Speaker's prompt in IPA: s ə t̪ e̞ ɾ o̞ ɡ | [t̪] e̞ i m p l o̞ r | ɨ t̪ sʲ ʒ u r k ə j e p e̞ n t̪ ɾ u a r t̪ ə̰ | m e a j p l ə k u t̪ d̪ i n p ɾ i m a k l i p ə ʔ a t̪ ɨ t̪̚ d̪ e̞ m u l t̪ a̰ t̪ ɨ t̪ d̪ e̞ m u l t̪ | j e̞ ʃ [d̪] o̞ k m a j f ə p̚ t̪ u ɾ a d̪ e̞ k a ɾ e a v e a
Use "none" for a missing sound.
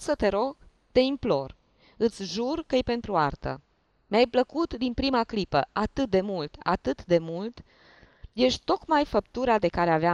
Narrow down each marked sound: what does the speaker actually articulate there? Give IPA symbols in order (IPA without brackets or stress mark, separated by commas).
t̪, t̪